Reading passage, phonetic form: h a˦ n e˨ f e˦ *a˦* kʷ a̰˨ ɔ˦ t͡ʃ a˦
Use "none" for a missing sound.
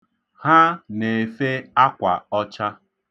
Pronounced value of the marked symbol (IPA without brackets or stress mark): a˦